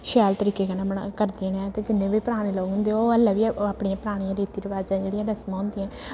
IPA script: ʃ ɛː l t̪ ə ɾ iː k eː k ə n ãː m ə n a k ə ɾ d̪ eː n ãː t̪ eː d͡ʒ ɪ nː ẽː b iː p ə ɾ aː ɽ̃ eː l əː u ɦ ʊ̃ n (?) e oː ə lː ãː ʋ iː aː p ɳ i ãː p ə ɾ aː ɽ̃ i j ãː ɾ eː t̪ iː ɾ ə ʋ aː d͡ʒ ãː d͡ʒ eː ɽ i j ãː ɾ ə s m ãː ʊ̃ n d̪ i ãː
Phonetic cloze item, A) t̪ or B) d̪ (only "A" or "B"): B